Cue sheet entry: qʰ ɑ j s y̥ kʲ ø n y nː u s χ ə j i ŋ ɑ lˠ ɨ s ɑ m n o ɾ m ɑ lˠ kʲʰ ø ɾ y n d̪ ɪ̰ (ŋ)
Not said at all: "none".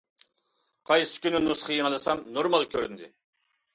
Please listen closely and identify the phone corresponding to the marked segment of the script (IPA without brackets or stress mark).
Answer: none